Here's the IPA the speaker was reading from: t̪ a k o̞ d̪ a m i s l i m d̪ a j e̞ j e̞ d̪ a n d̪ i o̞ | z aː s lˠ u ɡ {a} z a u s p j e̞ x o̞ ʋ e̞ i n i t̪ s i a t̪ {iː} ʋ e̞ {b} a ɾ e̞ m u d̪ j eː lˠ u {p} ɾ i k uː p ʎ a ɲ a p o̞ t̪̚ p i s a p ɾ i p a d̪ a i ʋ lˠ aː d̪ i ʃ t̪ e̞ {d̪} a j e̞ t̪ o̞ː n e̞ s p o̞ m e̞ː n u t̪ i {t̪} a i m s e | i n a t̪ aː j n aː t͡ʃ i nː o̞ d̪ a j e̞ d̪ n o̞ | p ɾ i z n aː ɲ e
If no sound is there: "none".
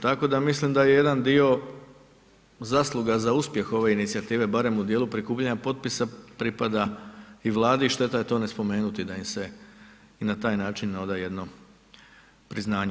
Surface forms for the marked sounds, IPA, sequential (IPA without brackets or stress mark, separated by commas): a, iː, b, p, t̪, d̪